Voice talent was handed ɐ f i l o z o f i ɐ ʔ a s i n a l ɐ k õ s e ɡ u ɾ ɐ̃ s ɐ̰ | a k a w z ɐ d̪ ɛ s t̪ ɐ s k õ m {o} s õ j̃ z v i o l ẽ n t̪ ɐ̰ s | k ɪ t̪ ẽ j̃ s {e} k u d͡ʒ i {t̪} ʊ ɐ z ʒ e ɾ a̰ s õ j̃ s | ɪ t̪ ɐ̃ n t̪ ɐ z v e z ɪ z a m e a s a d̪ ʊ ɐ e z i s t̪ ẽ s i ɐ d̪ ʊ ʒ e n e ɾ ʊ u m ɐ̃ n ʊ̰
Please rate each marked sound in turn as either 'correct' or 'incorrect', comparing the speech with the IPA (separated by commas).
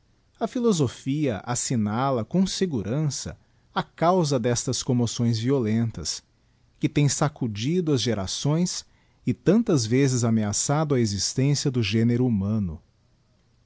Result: correct, incorrect, incorrect